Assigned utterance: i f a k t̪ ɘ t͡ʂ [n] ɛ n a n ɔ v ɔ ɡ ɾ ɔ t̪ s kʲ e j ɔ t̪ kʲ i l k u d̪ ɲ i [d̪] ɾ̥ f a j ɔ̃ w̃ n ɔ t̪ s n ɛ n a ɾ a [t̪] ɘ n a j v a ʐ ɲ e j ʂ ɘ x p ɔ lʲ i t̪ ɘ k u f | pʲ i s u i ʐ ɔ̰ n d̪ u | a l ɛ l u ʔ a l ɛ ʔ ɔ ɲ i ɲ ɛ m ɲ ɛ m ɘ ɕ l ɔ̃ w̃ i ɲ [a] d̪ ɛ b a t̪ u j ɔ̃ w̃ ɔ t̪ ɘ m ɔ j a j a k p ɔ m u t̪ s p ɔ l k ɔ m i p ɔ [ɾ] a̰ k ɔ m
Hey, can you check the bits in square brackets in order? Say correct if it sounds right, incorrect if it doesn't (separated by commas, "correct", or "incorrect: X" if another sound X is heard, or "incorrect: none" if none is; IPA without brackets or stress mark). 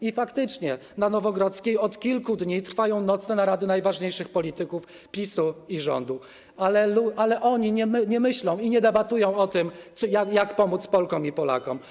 incorrect: ɲ, incorrect: t̪, incorrect: d̪, incorrect: ɛ, incorrect: l